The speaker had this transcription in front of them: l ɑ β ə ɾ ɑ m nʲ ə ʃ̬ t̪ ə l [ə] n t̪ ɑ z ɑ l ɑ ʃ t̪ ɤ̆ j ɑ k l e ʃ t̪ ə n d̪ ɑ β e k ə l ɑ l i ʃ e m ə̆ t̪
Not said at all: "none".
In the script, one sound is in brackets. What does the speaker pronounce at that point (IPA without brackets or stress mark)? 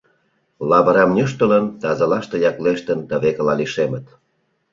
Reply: ə